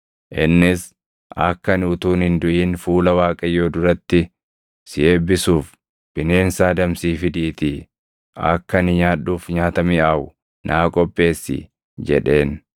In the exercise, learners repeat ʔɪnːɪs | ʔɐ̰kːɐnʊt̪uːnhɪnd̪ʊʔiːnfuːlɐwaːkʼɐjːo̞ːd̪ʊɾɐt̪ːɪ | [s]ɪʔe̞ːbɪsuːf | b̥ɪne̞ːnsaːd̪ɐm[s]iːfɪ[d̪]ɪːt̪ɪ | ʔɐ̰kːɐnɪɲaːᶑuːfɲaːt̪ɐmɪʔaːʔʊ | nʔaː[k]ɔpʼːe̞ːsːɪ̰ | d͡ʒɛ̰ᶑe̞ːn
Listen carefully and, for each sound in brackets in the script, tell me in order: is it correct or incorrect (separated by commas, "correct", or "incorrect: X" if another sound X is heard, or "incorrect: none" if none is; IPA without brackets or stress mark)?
correct, correct, correct, incorrect: kʼ